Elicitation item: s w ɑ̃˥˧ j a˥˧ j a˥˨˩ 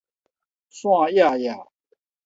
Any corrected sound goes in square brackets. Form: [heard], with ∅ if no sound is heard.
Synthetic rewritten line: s w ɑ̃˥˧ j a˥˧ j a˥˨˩